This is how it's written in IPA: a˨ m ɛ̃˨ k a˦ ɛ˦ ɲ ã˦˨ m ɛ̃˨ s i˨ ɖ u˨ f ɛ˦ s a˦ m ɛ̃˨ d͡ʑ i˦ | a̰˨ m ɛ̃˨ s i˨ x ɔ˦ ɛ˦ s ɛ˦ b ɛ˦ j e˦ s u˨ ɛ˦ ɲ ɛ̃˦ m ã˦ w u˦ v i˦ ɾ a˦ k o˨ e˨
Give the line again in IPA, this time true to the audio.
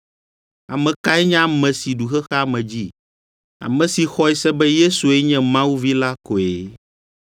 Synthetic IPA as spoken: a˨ m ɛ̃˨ k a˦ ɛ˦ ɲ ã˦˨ m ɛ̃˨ s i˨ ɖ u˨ x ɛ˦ x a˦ m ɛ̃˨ d͡ʑ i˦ | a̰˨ m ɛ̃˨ s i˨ x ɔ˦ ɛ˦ s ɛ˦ b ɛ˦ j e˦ s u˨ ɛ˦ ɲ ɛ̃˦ m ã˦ w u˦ v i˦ l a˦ k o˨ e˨

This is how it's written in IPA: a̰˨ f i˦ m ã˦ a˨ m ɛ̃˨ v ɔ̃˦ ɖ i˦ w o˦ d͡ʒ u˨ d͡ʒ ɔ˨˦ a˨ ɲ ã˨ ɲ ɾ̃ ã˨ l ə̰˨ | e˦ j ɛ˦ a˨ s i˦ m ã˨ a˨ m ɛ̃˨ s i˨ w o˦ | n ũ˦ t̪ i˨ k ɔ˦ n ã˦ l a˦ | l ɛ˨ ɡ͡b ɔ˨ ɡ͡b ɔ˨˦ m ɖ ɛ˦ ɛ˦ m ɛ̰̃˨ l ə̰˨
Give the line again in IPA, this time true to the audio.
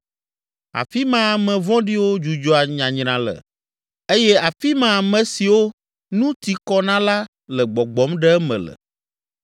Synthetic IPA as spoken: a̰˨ f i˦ m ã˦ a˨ m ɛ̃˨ v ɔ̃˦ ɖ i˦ w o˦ d͡ʒ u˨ d͡ʒ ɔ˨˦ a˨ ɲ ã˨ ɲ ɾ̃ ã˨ l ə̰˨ | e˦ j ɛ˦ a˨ f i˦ m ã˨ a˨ m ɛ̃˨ s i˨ w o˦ | n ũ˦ t̪ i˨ k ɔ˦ n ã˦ l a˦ | l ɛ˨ ɡ͡b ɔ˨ ɡ͡b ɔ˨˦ m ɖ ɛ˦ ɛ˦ m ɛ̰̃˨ l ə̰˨

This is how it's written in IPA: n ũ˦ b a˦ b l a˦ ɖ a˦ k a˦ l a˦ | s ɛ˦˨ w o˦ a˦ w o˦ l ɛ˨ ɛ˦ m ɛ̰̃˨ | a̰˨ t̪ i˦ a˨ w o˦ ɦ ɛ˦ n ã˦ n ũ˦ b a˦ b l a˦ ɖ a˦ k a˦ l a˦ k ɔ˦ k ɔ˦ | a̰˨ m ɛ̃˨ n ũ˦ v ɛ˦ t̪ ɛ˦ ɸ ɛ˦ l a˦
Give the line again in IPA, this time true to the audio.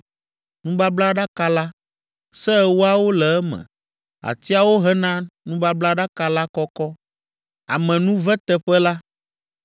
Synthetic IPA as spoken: n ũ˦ b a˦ b l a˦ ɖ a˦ k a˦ l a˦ | s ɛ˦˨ w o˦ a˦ w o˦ l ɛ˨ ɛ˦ m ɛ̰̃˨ | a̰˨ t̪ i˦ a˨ w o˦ ɦ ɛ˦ n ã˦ n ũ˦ b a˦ b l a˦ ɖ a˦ k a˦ l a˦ k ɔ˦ k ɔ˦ | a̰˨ m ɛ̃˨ n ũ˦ v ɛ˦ t̪ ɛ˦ ɸ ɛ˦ l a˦

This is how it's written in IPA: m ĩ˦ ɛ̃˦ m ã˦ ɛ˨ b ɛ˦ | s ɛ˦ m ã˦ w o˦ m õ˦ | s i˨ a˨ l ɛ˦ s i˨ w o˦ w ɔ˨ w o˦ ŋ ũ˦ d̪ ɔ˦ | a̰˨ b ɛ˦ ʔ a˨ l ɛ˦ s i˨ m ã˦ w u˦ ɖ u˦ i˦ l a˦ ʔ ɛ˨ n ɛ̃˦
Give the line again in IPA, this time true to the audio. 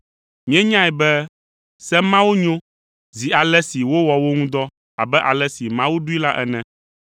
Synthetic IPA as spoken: m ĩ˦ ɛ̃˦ ɲ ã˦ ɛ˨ b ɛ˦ | s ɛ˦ m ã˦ w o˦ ɲ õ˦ | z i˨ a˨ l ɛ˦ s i˨ w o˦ w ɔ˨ w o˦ ŋ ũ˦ d̪ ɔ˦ | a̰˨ b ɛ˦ ʔ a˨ l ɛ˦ s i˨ m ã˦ w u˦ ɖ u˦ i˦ l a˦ ʔ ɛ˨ n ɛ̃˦

